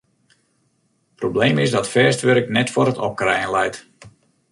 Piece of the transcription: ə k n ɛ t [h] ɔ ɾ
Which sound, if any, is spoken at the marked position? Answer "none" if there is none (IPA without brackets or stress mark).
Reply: f